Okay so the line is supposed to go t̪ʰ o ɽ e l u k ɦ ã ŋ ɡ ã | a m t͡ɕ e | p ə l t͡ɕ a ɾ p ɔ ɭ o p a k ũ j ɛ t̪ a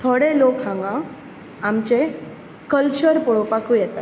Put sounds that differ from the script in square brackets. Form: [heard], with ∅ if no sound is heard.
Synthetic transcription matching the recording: t̪ʰ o ɽ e l [o] k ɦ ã ŋ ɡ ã | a m t͡ɕ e | [k] ə l t͡ɕ [ə] ɾ p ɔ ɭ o p a k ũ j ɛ t̪ a